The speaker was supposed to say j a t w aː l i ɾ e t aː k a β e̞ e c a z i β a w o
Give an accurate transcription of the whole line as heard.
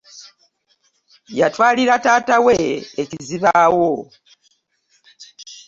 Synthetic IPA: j a t w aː l i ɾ a t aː t a w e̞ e c i z i β a w o